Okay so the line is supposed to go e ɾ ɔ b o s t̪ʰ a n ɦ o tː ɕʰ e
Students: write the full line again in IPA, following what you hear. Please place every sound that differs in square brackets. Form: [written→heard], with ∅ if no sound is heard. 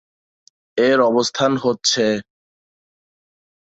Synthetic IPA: e ɾ ɔ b o s t̪ʰ a n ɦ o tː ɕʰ e